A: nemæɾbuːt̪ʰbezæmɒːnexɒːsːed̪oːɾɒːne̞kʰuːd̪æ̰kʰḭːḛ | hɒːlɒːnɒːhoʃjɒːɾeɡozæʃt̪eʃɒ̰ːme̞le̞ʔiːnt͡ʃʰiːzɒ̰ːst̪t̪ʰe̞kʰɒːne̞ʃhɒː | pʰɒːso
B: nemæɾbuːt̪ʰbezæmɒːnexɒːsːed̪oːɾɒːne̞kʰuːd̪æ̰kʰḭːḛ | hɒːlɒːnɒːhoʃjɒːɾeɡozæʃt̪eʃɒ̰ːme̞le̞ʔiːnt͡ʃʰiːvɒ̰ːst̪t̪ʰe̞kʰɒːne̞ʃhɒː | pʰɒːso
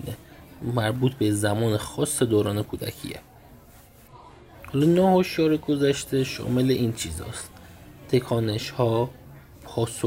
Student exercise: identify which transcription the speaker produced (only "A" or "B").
A